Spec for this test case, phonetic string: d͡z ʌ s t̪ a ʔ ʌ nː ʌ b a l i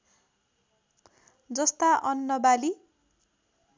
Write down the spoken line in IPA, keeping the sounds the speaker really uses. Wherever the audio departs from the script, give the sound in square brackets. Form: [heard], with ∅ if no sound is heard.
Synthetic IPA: d͡z ʌ s t̪ a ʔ ʌ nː ʌ b a l i